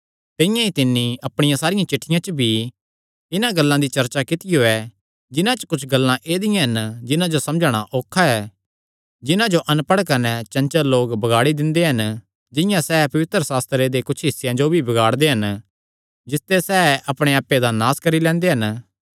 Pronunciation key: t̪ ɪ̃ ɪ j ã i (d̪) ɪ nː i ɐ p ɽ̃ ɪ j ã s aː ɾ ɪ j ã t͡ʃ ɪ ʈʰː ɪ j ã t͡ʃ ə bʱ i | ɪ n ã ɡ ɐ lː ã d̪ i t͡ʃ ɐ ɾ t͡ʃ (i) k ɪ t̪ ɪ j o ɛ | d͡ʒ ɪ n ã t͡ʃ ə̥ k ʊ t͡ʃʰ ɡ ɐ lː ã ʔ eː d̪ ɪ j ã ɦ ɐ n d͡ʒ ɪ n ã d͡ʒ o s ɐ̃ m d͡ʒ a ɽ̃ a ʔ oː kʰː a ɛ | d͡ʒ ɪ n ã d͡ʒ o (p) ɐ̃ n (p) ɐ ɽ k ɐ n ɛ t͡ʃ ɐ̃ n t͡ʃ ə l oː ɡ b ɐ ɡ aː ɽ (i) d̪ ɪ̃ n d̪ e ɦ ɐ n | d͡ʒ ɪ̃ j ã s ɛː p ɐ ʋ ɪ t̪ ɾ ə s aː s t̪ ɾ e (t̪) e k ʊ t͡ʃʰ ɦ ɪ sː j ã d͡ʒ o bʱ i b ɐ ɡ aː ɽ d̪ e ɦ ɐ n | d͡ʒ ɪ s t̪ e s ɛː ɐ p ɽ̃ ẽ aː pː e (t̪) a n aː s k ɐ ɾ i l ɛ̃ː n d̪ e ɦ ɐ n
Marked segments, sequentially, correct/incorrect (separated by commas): incorrect, incorrect, incorrect, correct, correct, incorrect, incorrect